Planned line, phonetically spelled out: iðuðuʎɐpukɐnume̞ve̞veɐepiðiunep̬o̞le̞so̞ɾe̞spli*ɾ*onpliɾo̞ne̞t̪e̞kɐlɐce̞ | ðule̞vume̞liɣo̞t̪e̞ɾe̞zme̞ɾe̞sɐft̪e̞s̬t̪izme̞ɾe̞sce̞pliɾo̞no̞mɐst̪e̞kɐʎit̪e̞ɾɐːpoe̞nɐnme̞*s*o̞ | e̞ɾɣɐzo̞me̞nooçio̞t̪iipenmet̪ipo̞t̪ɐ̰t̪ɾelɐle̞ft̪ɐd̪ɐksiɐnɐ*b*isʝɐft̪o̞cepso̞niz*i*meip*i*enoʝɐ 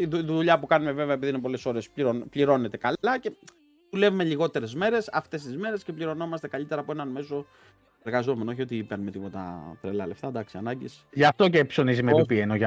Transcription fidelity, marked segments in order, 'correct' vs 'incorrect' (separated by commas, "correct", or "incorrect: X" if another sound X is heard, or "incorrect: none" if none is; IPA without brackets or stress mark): correct, correct, incorrect: ɟ, correct, correct